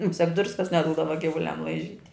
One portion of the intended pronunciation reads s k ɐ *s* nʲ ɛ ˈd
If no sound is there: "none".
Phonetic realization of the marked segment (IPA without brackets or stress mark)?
s